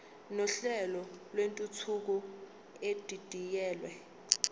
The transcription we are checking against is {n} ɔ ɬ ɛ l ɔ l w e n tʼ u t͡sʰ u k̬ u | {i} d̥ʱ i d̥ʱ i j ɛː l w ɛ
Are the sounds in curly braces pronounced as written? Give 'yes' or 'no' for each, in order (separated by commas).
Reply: yes, no